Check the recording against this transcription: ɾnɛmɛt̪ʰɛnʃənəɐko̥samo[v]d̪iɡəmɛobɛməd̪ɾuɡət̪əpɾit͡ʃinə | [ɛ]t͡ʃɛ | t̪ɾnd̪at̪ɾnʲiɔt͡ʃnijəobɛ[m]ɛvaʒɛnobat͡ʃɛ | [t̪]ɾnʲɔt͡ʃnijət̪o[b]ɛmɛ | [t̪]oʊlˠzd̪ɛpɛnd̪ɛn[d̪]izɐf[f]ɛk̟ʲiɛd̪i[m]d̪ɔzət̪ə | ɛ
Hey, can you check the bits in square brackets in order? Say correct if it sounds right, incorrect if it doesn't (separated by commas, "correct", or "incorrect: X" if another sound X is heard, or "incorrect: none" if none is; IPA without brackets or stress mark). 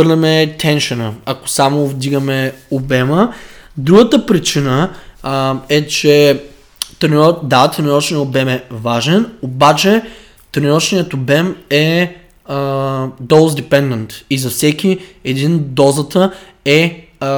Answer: correct, correct, correct, correct, correct, incorrect: d̪, incorrect: t̪, incorrect: s, incorrect: n